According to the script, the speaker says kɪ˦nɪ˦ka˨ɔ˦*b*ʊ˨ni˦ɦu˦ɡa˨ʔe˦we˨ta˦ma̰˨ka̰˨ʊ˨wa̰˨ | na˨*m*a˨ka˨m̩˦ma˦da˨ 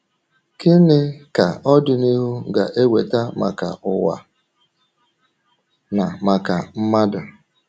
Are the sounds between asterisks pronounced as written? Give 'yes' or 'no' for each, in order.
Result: no, yes

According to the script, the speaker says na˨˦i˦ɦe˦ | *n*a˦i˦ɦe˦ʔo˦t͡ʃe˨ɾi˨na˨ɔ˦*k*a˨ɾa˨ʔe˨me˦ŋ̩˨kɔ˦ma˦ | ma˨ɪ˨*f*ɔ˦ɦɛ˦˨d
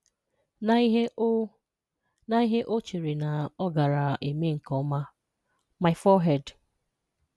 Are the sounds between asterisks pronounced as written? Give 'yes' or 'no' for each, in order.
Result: yes, no, yes

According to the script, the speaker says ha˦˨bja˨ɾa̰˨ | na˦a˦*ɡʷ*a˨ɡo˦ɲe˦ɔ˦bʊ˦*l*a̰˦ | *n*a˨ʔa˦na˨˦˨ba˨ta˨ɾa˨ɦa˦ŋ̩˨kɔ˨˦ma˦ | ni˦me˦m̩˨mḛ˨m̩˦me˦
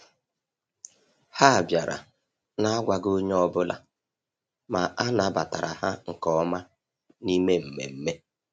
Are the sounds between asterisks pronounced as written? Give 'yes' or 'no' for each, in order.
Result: yes, yes, no

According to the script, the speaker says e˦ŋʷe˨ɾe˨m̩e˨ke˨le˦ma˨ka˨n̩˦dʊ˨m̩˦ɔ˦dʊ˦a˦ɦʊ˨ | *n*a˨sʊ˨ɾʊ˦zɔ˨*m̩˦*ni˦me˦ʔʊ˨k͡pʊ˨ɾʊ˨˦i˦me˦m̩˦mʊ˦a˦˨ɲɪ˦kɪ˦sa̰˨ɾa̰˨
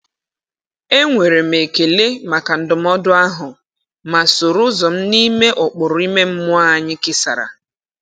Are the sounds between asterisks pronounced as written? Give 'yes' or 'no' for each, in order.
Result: no, yes

